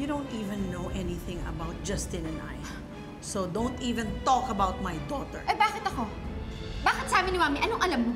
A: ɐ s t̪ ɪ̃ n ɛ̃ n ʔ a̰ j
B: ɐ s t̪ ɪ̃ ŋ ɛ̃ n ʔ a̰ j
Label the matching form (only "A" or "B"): A